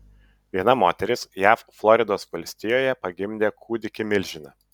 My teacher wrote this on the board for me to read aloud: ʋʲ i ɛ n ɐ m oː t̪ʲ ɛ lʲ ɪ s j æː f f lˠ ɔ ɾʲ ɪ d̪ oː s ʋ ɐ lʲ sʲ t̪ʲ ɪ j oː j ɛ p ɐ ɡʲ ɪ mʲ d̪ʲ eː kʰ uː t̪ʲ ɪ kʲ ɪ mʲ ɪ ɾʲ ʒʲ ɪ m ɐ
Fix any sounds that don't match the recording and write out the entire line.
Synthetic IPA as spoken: ʋʲ i ɛ n ɐ m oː t̪ʲ ɛ ɾʲ ɪ s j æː f f lˠ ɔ ɾʲ ɪ d̪ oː s ʋ ɐ lʲ sʲ t̪ʲ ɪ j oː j ɛ p ɐ ɡʲ ɪ mʲ d̪ʲ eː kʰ uː d̪ʲ ɪ kʲ ɪ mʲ ɪ lʲ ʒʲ ɪ n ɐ